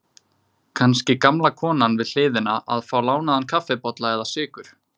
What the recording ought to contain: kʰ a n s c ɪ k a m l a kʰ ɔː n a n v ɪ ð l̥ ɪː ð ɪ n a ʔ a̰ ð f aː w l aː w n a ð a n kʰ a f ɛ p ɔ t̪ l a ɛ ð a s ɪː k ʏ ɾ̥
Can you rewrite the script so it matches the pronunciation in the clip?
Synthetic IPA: kʰ a n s c ɪ k a m l a kʰ ɔː n a n v ɪ ð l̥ ɪː ð ɪ n a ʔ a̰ ð f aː w l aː w n a ð a n kʰ a f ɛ p ɔ t̪ l a ɛ ð a s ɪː k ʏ ɾ̥